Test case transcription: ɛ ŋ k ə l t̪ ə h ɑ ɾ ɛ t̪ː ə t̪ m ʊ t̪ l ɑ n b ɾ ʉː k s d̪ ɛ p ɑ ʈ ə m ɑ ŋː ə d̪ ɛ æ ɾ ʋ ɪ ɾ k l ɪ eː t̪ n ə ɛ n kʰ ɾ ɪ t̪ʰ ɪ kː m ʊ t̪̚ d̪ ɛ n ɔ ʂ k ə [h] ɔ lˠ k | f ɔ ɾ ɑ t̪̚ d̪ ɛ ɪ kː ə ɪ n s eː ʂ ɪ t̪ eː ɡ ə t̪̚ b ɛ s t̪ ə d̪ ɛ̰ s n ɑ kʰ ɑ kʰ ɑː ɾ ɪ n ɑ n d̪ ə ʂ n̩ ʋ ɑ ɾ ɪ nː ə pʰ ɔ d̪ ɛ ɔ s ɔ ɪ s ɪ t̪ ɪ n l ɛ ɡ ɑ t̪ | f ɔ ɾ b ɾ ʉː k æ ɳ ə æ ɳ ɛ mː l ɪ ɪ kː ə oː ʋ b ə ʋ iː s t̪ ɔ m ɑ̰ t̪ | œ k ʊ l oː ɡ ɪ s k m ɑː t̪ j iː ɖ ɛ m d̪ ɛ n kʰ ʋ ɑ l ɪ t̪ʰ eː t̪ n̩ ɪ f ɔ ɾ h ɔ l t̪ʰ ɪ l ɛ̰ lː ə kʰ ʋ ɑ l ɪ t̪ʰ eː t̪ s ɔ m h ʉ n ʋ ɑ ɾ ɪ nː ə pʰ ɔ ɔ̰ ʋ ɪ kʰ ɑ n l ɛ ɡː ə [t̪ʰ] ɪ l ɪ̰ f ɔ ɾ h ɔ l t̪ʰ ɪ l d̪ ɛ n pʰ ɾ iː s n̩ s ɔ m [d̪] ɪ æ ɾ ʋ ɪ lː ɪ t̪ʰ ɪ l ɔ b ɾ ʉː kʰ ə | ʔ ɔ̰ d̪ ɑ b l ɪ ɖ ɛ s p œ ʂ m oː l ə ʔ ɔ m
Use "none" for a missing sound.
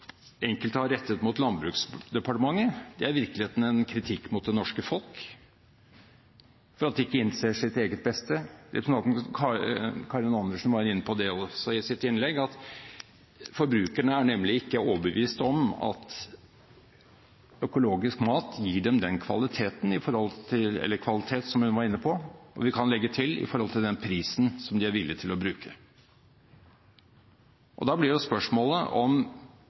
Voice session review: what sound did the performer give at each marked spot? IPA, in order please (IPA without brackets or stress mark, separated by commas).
f, t̪ʰ, d̪